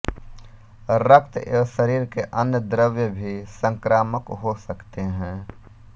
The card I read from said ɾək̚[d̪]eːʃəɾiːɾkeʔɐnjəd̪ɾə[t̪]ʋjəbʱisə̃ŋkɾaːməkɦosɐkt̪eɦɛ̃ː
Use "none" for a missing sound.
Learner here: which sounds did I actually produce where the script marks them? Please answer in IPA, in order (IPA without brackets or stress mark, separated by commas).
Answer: t̪, none